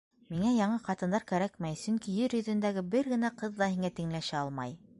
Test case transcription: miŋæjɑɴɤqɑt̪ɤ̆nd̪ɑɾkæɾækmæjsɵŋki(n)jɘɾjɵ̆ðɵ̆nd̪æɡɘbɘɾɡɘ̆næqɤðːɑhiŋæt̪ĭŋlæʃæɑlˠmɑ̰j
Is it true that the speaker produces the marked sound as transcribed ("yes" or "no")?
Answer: no